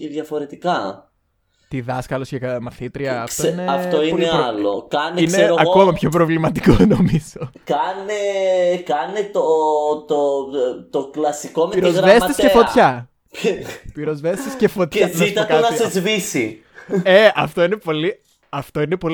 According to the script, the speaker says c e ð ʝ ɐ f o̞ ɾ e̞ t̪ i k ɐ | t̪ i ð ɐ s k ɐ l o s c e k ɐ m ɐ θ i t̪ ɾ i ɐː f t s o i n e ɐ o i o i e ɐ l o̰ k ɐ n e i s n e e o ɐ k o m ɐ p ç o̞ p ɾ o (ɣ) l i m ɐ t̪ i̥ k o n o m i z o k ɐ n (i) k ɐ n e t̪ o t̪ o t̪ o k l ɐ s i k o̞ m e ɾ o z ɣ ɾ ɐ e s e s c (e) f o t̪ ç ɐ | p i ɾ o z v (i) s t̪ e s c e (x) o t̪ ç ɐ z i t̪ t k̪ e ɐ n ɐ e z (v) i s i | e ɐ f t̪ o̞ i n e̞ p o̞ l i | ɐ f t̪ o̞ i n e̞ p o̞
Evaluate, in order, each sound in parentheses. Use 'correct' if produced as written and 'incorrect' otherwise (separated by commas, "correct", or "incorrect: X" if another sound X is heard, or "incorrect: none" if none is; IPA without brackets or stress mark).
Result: incorrect: v, incorrect: e, correct, incorrect: e, incorrect: f, correct